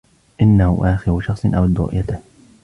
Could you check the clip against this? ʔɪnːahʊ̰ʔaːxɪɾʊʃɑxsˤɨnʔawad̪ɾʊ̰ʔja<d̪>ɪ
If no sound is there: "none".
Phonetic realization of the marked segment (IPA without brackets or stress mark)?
t̪